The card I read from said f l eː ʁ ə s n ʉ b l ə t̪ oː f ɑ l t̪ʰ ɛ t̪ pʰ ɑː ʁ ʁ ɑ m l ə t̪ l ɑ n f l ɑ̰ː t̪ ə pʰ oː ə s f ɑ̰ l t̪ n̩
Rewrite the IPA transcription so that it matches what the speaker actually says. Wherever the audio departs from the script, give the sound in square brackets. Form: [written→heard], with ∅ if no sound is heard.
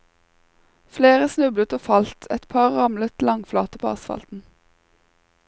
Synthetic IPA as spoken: f l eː ʁ ə s n ʉ b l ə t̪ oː f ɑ l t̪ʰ ɛ t̪ pʰ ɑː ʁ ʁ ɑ m l ə t̪ l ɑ [n→ŋ] f l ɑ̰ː t̪ ə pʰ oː [ə→ɑ] s f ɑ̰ l t̪ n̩